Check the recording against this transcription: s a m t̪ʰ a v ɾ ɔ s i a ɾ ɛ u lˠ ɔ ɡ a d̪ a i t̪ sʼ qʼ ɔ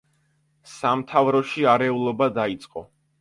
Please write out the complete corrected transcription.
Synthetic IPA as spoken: s a m t̪ʰ a v ɾ ɔ ʃ i a ɾ ɛ u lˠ ɔ b a d̪ a i t̪ sʼ qʼ ɔ